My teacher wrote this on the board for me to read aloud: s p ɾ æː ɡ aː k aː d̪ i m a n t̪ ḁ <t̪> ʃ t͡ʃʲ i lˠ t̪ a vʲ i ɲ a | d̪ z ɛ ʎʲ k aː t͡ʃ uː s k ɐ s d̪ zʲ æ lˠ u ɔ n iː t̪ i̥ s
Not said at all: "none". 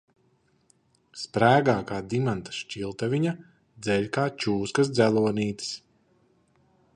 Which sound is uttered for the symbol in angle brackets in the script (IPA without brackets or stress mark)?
none